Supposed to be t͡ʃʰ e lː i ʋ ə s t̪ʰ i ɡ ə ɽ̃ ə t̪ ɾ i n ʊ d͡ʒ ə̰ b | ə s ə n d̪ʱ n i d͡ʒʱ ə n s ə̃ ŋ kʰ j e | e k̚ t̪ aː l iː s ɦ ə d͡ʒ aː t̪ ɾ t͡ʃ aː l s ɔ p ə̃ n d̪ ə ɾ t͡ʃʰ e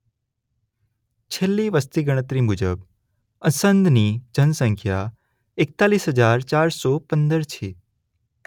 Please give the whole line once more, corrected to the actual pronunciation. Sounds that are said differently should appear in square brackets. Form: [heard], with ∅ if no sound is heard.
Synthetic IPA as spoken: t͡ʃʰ e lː i ʋ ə s [t̪] i ɡ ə ɽ̃ ə t̪ ɾ i [m] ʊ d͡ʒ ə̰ b | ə s ə n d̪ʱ n i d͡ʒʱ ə n s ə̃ ŋ kʰ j [a] | e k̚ t̪ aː l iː s ɦ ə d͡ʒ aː [∅] ɾ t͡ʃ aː [ɾ] s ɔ p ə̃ n d̪ ə ɾ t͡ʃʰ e